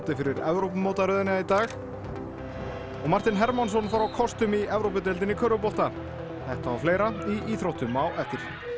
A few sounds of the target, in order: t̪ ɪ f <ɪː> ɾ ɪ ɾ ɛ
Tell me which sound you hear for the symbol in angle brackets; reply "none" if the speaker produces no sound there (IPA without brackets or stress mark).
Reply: ɪ